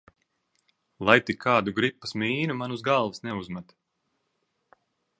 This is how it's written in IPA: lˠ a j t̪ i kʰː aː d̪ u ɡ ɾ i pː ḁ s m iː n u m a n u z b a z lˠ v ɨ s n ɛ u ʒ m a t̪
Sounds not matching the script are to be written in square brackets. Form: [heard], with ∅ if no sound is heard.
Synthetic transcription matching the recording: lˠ a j t̪ i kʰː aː d̪ u ɡ ɾ i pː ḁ s m iː n u m a n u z [ɡ] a [∅] lˠ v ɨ s n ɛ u [z] m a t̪